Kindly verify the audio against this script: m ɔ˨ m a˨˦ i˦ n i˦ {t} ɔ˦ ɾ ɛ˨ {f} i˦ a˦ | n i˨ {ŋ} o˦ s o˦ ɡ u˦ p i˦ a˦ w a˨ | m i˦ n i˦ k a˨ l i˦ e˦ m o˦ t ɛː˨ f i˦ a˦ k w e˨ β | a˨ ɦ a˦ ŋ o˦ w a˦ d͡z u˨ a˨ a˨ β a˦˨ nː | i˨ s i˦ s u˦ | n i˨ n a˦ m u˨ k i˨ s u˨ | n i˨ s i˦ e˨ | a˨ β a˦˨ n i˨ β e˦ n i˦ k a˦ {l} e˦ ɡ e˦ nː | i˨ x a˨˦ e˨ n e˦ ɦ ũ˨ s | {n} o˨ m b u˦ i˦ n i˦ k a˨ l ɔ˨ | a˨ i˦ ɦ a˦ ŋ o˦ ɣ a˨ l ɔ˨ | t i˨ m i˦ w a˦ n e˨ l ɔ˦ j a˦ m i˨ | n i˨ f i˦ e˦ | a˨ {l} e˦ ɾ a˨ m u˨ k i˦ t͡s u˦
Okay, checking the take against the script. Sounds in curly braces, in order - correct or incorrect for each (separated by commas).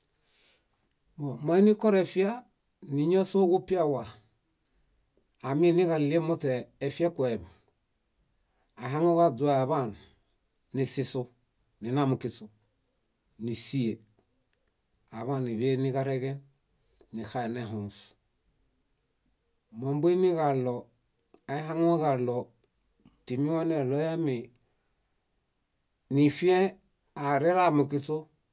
incorrect, correct, incorrect, incorrect, incorrect, incorrect